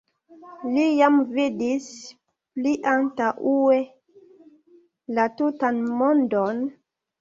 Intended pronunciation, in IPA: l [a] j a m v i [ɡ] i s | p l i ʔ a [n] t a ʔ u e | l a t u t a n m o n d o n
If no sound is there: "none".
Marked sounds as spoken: i, d, n

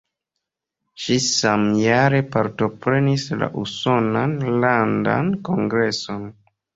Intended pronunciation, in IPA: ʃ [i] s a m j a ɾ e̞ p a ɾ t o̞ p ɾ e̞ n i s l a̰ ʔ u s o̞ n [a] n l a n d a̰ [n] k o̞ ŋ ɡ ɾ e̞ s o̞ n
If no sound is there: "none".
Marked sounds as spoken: i, a, n

